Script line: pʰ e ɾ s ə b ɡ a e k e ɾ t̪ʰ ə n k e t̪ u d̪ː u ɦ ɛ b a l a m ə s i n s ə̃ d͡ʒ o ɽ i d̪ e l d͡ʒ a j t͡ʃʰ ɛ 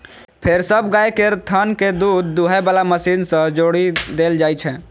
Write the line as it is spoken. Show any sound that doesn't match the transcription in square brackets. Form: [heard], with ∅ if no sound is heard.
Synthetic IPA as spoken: pʰ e ɾ s ə b ɡ a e k e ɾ t̪ʰ ə n k e [d̪] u d̪ː u ɦ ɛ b a l a m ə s i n s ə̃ d͡ʒ o ɽ i d̪ e l d͡ʒ a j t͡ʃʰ ɛ